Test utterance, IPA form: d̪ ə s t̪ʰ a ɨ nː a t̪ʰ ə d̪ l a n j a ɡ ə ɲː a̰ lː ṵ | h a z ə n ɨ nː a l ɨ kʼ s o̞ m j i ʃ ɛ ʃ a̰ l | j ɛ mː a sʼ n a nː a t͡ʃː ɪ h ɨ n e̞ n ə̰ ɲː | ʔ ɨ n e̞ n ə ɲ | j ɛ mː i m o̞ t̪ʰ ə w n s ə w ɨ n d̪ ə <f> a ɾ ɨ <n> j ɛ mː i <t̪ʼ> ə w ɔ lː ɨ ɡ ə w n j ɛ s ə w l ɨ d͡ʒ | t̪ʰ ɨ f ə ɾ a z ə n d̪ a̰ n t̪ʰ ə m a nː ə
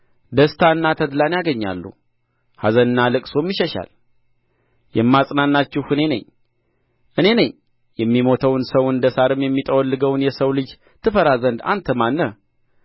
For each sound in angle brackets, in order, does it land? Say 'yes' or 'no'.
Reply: no, no, yes

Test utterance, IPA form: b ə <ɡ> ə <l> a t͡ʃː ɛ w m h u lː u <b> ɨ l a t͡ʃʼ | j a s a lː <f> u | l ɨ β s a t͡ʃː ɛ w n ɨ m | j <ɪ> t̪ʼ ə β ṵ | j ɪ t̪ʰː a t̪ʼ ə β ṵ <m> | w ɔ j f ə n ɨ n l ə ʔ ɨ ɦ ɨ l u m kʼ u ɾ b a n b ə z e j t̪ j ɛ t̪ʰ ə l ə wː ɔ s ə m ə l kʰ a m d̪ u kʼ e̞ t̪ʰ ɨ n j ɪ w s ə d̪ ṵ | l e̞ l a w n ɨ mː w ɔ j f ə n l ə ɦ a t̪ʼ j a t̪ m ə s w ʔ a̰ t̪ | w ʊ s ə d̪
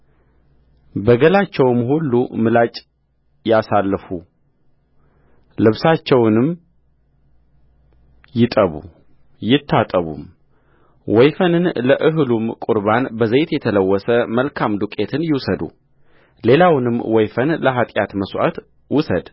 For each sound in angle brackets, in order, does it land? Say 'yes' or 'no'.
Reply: yes, yes, no, yes, yes, yes

